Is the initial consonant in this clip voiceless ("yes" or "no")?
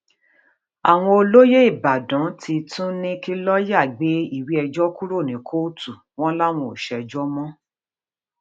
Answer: no